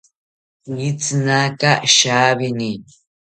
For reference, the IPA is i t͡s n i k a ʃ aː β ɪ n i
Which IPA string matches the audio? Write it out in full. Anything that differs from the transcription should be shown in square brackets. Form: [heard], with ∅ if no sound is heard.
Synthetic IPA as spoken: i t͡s n [a] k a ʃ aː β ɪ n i